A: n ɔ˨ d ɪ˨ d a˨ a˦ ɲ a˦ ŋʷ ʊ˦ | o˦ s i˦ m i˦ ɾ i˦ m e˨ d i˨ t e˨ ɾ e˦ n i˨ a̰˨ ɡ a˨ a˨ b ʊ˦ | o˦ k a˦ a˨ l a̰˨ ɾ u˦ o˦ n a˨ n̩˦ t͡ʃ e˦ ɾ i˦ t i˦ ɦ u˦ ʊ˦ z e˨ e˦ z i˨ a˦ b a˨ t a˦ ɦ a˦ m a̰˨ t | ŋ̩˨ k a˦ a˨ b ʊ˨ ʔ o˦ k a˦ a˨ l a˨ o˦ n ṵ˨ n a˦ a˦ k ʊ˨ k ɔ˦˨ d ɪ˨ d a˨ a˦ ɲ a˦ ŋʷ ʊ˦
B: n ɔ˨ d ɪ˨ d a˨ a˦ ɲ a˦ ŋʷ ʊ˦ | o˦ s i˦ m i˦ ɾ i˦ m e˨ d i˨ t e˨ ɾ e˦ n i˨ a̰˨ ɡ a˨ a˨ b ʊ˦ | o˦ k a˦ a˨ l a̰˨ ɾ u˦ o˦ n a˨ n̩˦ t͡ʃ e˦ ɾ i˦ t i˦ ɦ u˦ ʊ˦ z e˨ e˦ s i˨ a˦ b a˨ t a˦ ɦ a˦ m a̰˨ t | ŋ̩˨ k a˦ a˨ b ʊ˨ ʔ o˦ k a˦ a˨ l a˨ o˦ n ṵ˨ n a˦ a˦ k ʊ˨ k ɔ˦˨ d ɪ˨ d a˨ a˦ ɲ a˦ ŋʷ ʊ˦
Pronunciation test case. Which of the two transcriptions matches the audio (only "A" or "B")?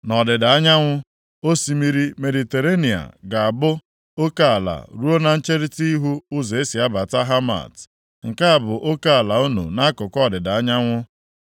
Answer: B